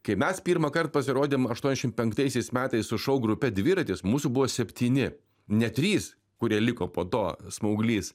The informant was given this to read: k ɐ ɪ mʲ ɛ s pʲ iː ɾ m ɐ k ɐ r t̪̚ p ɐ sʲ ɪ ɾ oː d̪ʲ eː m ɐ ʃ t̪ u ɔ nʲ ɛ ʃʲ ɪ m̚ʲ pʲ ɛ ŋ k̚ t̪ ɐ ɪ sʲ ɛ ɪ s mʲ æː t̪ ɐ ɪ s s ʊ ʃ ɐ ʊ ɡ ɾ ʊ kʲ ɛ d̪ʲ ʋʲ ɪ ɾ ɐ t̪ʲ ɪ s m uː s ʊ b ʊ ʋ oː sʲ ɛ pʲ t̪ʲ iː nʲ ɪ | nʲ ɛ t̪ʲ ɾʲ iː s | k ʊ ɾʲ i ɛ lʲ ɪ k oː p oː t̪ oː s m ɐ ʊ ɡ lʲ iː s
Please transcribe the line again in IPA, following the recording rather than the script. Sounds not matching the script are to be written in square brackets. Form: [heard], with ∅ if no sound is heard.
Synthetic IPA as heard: k ɐ ɪ mʲ ɛ s pʲ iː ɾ m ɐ k ɐ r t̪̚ p ɐ sʲ ɪ ɾ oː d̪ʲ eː m ɐ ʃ t̪ u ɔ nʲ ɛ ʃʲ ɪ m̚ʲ pʲ ɛ ŋ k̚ t̪ ɐ ɪ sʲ ɛ ɪ s mʲ æː t̪ ɐ ɪ s s ʊ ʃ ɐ ʊ ɡ ɾ ʊ [pʲ] ɛ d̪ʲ ʋʲ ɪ ɾ ɐ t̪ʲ ɪ s m uː s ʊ b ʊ ʋ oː sʲ ɛ pʲ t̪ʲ iː nʲ ɪ | nʲ ɛ t̪ʲ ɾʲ iː s | k ʊ ɾʲ i ɛ lʲ ɪ k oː p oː t̪ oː s m ɐ ʊ ɡ lʲ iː s